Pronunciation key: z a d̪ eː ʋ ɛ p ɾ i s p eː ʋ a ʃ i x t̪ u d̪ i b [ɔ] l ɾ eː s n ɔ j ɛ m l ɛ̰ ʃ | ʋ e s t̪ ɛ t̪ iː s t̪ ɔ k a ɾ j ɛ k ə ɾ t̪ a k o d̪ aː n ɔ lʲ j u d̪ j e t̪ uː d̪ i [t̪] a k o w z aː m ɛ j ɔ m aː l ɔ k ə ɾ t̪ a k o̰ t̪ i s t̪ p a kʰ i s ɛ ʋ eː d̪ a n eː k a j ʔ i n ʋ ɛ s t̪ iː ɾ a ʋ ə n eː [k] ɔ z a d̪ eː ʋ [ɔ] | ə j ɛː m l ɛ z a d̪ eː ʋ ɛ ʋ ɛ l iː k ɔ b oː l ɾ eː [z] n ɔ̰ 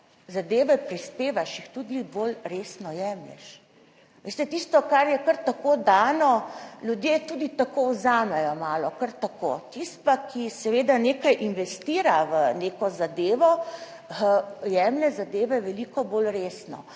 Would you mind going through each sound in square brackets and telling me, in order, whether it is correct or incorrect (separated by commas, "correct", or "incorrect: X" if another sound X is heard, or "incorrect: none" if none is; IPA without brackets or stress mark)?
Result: incorrect: o, correct, correct, correct, incorrect: s